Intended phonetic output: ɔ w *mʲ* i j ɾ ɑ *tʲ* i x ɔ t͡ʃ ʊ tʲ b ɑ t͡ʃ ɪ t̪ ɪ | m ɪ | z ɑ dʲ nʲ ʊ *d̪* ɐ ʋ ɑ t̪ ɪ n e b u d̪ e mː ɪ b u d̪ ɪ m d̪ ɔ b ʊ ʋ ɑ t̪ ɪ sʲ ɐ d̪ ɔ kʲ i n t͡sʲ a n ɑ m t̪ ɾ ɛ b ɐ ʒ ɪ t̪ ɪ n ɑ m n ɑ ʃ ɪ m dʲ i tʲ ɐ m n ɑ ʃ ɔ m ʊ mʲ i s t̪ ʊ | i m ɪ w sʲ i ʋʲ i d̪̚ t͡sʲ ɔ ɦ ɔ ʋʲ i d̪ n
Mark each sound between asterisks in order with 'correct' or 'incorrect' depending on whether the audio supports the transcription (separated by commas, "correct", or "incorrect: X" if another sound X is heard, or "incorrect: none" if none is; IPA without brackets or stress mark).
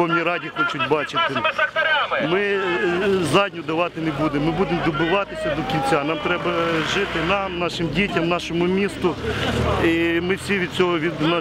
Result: incorrect: nʲ, incorrect: dʲ, correct